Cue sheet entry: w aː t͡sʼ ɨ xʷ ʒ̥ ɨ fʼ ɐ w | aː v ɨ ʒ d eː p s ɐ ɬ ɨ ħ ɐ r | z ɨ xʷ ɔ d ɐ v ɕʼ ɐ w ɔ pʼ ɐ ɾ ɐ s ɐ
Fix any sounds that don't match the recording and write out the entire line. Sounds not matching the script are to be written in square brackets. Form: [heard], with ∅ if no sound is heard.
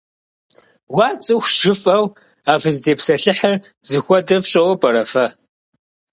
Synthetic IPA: w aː t͡sʼ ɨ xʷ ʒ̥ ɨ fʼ ɐ w | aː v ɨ [z] d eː p s ɐ ɬ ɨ ħ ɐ r | z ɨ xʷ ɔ d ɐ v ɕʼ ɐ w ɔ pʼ ɐ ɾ ɐ [f] ɐ